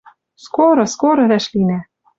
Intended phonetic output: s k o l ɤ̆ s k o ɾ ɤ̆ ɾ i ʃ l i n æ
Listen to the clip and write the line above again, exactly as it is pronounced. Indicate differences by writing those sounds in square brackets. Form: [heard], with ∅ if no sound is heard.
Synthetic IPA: s k o [ɾ] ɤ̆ s k o ɾ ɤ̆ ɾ [æ] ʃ l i n æ